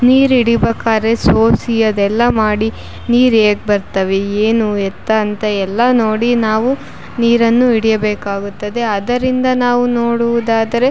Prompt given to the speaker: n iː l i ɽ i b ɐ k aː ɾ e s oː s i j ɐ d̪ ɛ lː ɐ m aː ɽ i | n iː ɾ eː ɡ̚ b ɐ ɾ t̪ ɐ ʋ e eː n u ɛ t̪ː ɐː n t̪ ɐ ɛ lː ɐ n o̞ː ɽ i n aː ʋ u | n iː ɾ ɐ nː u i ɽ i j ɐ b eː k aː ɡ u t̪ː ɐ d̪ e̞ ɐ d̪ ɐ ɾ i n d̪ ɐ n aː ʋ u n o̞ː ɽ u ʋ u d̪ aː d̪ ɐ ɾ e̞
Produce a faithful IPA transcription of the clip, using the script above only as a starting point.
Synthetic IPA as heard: n iː ɾ i ɽ i b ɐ k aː ɾ e s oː s i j ɐ d̪ ɛ lː ɐ m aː ɽ i | n iː ɾ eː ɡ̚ b ɐ ɾ t̪ ɐ ʋ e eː n u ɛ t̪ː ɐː n t̪ ɐ ɛ lː ɐ n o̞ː ɽ i n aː ʋ u | n iː ɾ ɐ nː u i ɽ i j ɐ b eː k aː ɡ u t̪ː ɐ d̪ e̞ ɐ d̪ ɐ ɾ i n d̪ ɐ n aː ʋ u n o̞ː ɽ u ʋ u d̪ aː d̪ ɐ ɾ e̞